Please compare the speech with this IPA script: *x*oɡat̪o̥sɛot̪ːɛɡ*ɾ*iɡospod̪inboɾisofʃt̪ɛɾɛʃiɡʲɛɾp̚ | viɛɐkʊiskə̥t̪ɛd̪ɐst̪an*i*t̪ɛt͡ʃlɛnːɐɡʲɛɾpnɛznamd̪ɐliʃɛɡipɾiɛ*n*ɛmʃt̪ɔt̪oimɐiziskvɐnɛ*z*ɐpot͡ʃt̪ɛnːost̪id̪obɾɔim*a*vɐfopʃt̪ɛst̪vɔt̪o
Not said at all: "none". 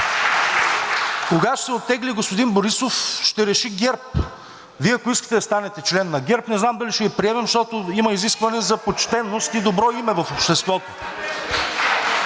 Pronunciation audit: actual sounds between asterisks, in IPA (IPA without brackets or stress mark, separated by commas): k, l, ɛ, m, z, ɛ